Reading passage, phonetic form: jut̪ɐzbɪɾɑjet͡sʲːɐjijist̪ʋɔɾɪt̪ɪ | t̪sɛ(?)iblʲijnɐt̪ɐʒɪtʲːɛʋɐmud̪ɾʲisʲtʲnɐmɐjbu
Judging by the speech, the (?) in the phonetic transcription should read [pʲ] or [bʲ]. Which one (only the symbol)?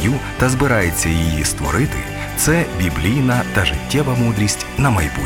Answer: bʲ